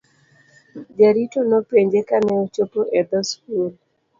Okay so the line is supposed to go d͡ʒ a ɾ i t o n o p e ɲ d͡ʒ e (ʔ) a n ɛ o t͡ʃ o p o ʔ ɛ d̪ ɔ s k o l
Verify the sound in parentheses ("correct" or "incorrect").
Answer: incorrect